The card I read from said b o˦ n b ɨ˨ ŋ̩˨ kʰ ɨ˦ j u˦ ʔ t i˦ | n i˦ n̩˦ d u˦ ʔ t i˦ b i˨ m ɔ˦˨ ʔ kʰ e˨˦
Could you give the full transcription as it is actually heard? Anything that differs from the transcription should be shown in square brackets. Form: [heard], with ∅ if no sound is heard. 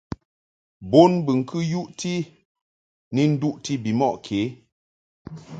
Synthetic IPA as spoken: b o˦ n b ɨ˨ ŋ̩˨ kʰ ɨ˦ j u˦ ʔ t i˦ | n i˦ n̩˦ d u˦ ʔ t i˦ b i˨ m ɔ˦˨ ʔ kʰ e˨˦